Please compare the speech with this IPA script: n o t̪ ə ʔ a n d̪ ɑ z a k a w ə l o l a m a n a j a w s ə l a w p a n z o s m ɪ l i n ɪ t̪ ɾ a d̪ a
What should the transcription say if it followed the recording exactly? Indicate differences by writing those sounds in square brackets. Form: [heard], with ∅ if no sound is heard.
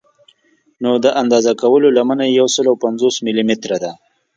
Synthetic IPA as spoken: n o [d̪] ə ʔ a n d̪ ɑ z a k a w ə l o l a m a n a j a w s ə l a w p a n z o s m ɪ l i [m] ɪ t̪ ɾ a d̪ a